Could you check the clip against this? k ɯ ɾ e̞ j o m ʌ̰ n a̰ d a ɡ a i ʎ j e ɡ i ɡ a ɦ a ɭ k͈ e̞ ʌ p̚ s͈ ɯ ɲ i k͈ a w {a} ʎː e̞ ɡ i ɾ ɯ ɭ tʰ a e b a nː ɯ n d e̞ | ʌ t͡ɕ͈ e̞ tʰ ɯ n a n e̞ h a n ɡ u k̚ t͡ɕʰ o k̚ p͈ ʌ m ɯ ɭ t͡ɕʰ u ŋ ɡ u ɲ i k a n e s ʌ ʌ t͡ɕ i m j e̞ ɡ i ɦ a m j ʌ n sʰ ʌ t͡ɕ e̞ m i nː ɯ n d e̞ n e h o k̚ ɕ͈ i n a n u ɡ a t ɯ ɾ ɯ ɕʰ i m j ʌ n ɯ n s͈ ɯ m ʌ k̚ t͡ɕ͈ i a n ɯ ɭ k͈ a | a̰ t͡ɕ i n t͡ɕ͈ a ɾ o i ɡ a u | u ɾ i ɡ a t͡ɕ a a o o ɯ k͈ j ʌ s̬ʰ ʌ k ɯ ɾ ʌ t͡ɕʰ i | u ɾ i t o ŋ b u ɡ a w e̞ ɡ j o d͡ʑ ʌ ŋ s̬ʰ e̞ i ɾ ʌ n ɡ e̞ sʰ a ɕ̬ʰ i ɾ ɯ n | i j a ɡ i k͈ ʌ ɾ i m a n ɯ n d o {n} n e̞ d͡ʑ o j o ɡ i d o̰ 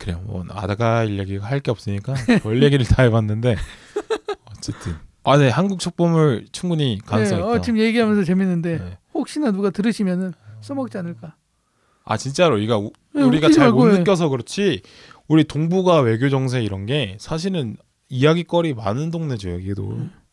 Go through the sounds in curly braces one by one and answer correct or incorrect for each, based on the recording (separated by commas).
incorrect, incorrect